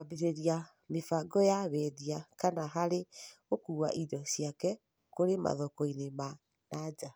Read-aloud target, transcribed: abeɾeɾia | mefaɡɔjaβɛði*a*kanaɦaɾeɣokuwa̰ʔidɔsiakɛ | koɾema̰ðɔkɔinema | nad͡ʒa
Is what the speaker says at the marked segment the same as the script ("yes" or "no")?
yes